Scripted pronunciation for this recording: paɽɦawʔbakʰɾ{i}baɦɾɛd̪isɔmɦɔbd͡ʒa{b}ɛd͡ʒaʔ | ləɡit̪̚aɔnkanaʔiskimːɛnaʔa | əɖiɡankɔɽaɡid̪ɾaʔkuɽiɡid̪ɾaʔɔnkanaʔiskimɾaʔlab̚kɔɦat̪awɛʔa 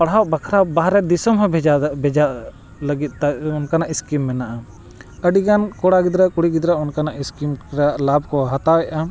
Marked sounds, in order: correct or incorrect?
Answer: incorrect, correct

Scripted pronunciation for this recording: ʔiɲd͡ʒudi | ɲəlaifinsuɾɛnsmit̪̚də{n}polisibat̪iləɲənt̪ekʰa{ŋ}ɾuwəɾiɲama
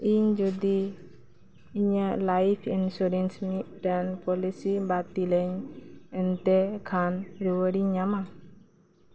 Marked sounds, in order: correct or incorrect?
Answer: correct, incorrect

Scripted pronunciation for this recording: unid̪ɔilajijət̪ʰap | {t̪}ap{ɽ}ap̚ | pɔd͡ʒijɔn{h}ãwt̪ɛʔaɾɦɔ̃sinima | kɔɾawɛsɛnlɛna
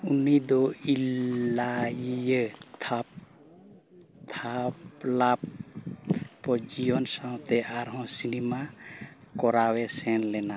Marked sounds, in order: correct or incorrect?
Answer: incorrect, incorrect, incorrect

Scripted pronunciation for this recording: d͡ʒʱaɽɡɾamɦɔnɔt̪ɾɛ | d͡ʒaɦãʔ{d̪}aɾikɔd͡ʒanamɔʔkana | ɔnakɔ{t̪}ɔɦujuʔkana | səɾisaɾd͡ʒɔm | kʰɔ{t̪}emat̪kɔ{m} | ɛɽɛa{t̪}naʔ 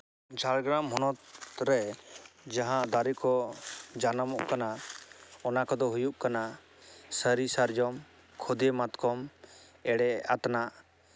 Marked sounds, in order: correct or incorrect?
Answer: correct, incorrect, incorrect, correct, correct

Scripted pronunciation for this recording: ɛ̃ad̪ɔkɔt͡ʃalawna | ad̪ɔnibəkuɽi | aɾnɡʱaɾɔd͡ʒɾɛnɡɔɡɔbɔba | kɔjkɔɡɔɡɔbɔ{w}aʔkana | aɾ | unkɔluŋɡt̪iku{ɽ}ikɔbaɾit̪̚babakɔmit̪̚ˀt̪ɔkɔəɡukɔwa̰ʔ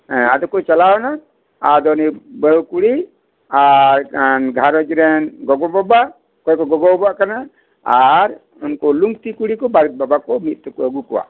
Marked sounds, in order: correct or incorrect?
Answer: incorrect, correct

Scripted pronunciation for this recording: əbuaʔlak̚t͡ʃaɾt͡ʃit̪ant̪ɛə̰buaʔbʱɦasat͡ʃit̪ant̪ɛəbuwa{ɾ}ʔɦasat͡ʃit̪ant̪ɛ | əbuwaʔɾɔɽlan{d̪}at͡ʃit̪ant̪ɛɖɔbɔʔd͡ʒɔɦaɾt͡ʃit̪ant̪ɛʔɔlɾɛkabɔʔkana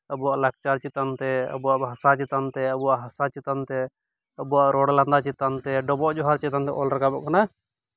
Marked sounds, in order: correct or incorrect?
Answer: incorrect, correct

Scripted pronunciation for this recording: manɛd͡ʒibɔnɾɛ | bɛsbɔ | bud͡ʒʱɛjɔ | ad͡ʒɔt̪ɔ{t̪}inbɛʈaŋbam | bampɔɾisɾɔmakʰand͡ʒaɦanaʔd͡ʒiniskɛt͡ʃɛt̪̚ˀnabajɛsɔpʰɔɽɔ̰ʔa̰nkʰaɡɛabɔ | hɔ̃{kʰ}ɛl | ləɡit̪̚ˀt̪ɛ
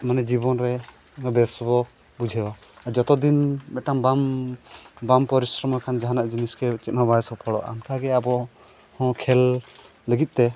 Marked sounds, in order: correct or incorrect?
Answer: incorrect, correct

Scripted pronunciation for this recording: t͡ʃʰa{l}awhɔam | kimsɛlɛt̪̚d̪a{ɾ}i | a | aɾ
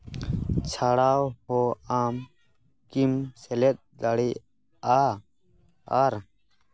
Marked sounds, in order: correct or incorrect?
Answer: incorrect, incorrect

